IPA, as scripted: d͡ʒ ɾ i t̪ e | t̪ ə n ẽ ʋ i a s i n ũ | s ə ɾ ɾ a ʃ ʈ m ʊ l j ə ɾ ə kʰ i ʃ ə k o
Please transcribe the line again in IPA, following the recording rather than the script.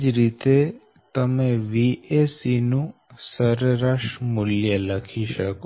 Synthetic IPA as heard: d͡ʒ ɾ i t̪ e | t̪ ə m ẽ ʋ i e s i n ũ | s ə ɾ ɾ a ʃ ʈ m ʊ l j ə l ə kʰ i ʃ ə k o

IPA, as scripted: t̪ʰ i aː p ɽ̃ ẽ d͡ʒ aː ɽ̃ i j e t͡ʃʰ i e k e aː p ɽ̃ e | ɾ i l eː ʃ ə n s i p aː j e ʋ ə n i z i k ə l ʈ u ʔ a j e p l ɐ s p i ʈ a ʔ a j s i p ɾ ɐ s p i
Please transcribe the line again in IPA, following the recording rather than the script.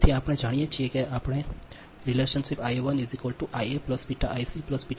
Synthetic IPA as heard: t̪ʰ i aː p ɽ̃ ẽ d͡ʒ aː ɽ̃ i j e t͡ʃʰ i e k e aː p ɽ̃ e | ɾ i l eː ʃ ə n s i p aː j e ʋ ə n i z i k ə l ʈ u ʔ a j e p l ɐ s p i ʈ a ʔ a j s i p l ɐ s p i

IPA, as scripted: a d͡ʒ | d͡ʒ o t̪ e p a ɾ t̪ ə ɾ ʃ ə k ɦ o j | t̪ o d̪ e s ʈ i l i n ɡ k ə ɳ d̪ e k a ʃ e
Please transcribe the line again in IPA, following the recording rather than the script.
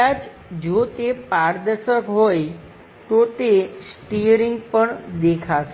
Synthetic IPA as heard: a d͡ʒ | d͡ʒ o t̪ e p a ɾ d̪ ə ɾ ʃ ə k ɦ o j | t̪ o t̪ e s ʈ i ɾ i ŋ ɡ p ə ɳ d̪ e kʰ a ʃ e

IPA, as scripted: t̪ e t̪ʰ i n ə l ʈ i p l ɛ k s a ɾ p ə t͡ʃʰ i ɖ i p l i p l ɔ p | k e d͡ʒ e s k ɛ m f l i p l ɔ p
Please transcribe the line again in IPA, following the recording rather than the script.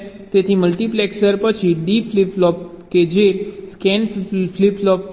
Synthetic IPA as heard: t̪ e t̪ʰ i m ə l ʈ i p l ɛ k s ə ɾ p ə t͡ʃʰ i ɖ i p l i p l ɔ p | k e d͡ʒ e s k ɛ n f l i p l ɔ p

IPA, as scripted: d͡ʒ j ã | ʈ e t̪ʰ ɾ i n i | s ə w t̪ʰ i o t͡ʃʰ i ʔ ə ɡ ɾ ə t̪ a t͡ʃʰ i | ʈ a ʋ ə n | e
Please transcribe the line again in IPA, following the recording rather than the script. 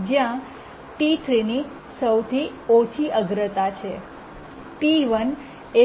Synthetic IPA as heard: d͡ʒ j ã | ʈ i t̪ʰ ɾ i n i | s ə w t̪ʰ i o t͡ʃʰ i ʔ ə ɡ ɾ ə t̪ a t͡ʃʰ e | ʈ i ʋ ə n | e

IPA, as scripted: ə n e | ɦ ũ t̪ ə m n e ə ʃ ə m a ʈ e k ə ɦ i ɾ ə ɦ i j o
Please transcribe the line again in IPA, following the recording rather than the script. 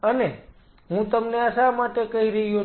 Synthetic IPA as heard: ə n e | ɦ ũ t̪ ə m n e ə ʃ a m a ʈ e k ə ɦ i ɾ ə ɦ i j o

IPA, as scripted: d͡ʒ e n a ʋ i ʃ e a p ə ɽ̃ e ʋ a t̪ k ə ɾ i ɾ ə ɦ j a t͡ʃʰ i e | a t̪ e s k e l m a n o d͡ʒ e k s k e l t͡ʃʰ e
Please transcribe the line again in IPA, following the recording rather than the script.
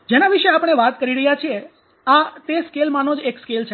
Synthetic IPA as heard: d͡ʒ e n a ʋ i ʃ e a p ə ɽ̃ e ʋ a t̪ k ə ɾ i ɾ ə ɦ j a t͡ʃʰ i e | a t̪ e s k e l m a n o d͡ʒ e k s k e l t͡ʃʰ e

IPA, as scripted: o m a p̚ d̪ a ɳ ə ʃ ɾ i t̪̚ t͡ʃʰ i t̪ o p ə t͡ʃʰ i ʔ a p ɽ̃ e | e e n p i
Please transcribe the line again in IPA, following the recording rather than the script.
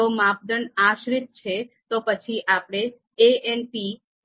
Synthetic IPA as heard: o m a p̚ d̪ ə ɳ a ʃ ɾ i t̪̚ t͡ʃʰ e t̪ o p ə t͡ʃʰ i ʔ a p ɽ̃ e | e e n p i

